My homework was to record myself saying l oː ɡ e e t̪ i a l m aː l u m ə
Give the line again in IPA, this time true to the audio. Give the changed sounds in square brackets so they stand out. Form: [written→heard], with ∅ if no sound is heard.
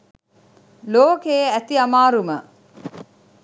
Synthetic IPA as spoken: l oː [ɡ→k] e [e→æ] t̪ i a [l→∅] m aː [l→ɾ] u m ə